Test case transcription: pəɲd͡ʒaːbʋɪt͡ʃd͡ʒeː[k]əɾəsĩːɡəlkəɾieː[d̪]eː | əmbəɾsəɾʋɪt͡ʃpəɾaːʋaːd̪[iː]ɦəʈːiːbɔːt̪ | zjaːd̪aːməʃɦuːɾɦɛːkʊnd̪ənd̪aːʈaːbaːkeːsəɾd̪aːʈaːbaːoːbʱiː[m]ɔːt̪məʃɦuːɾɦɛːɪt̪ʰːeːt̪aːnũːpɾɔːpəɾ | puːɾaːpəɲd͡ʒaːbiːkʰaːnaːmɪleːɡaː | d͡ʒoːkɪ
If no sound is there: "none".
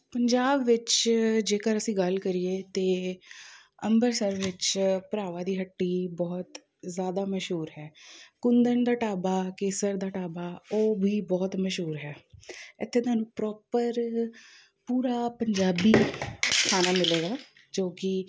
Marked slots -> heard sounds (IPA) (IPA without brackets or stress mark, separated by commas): k, t̪, iː, b